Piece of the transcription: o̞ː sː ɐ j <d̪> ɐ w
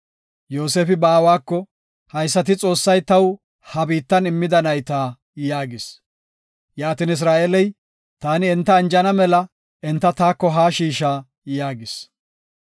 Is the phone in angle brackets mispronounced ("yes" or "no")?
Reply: yes